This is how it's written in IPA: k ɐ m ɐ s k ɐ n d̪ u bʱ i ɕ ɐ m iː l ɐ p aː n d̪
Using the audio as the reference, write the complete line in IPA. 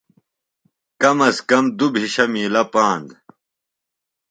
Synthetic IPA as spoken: k ɐ m ɐ s k ɐ m d̪ u bʱ i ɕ ɐ m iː l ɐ p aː n d̪